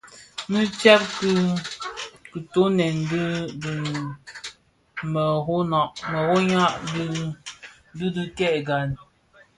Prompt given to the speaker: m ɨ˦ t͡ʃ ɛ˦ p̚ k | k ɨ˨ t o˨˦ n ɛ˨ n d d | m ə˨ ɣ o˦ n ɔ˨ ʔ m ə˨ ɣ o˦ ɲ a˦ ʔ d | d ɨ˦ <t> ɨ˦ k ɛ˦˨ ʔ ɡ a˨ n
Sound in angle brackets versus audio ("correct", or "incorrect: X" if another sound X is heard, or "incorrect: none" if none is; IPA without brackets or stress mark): incorrect: d